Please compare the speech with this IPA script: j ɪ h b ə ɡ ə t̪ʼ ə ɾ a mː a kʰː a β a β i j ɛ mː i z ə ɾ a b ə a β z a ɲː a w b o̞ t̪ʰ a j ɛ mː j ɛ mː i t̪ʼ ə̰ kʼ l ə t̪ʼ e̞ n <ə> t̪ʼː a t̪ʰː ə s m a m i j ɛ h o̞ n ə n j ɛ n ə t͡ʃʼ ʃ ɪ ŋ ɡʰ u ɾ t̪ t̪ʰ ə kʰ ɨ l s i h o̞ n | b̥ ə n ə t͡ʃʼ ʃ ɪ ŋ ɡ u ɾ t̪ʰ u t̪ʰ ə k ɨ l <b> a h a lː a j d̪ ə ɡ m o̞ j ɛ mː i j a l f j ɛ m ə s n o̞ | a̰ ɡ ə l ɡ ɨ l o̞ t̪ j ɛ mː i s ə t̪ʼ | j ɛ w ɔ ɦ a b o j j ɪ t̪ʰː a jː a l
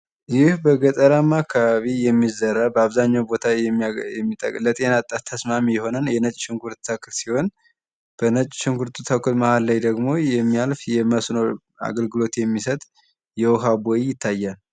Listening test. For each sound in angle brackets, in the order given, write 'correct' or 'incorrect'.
incorrect: a, incorrect: m

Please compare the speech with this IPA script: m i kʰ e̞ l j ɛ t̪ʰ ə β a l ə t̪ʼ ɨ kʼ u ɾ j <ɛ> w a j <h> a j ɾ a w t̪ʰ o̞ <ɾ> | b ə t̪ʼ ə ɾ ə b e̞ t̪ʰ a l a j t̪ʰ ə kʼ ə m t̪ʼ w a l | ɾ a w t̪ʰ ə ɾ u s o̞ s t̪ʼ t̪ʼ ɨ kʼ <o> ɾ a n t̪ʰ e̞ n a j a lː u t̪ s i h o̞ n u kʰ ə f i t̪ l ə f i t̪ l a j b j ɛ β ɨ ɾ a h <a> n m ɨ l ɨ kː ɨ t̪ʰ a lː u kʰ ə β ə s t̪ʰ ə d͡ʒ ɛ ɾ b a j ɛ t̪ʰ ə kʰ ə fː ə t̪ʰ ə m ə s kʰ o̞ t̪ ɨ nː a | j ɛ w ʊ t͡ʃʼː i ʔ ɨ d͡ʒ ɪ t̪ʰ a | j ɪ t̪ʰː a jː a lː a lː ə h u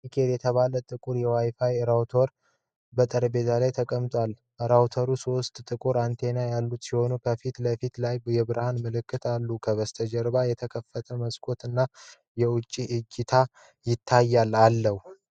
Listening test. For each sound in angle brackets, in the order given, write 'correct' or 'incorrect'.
correct, incorrect: f, correct, incorrect: u, correct

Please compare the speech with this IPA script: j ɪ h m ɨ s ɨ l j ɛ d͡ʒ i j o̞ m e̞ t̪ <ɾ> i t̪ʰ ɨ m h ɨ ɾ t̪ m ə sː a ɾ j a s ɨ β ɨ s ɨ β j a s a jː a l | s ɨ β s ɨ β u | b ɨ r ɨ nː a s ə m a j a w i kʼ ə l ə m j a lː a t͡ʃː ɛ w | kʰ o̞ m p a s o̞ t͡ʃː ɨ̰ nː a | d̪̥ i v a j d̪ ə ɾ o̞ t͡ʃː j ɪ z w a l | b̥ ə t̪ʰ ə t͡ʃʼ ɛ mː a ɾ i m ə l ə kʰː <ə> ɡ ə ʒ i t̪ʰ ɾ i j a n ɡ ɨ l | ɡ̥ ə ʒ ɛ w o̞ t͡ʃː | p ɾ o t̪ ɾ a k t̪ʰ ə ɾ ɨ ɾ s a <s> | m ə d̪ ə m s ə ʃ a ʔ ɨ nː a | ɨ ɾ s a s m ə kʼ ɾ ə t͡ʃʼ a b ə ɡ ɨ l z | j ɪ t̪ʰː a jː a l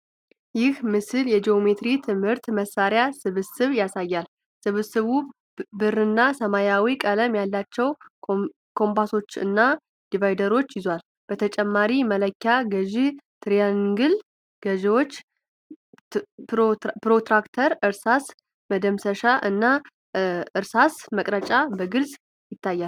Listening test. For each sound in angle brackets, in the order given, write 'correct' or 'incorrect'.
correct, incorrect: a, correct

